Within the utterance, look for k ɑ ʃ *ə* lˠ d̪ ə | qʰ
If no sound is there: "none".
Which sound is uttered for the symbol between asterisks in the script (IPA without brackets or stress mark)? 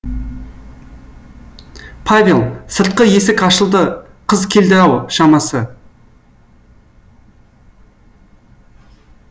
ə